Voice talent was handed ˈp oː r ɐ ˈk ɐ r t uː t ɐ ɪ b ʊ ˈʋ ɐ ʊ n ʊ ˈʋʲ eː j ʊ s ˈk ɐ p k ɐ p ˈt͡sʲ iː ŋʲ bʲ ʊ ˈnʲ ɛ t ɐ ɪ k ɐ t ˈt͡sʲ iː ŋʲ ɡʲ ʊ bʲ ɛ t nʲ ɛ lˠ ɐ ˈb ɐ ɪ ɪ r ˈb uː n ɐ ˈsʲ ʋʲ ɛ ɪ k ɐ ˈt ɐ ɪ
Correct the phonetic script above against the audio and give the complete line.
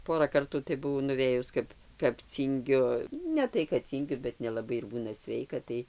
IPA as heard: ˈp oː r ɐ ˈk ɐ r t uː t ɐ ɪ b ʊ ˈʋ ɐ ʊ n ʊ ˈʋʲ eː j ʊ s ˈk ɐ p k ɐ p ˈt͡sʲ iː ŋʲ ɡʲ ʊ ˈnʲ ɛ t ɐ ɪ k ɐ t ˈt͡sʲ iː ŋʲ ɡʲ ʊ bʲ ɛ t nʲ ɛ lˠ ɐ ˈb ɐ ɪ ɪ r ˈb uː n ɐ ˈsʲ ʋʲ ɛ ɪ k ɐ ˈt ɐ ɪ